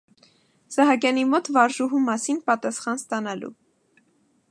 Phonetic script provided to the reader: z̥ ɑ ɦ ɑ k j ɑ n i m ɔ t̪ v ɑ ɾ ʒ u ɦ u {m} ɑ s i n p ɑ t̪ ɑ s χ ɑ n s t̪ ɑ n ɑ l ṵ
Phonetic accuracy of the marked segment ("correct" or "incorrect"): correct